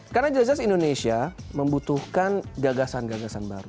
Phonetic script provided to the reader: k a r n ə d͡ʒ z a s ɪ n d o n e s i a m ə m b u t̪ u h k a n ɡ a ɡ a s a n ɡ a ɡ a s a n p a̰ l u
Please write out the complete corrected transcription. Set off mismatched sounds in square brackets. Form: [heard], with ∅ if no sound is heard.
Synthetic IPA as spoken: k a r n [a] d͡ʒ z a s [i] n d o n e s i a m ə m b u t̪ u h k a n ɡ a ɡ a s a n ɡ a ɡ a s a n [b] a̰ [ɾ] u

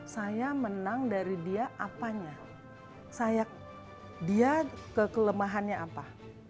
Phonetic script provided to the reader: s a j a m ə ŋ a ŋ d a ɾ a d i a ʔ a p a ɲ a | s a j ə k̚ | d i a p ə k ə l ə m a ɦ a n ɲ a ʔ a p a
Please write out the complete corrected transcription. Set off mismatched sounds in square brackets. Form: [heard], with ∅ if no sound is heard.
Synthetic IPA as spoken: s a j a m ə [n] a ŋ d a ɾ [i] d i a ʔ a p a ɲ a | s a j [a] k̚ | d i a [k] ə k ə l ə m a ɦ a n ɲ a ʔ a p a

